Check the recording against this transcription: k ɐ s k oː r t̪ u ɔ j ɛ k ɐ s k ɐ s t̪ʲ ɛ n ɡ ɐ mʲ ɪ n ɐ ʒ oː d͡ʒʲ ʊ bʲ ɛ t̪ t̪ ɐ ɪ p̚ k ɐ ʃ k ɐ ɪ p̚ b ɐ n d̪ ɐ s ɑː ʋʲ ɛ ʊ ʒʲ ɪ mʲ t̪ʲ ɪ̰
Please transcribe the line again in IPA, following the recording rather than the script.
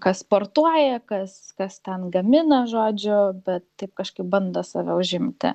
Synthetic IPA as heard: k ɐ s p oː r t̪ u ɔ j ɛ k ɐ s k ɐ s t̪ʲ ɛ n ɡ ɐ mʲ ɪ n ɐ ʒ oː d͡ʒʲ ʊ bʲ ɛ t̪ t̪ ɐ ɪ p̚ k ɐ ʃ k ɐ ɪ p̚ b ɐ n d̪ ɐ s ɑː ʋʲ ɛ ʊ ʒʲ ɪ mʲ t̪ʲ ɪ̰